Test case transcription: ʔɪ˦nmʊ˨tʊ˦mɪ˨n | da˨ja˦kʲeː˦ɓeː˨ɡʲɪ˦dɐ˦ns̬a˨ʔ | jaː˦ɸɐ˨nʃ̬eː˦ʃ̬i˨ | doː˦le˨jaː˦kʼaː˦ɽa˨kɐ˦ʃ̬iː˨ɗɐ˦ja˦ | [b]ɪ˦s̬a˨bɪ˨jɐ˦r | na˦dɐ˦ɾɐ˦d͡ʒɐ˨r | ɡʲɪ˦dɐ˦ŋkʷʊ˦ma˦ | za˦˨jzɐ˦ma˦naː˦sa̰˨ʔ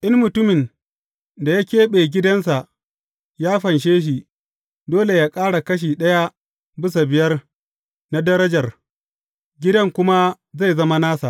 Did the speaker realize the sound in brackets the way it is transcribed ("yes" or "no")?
yes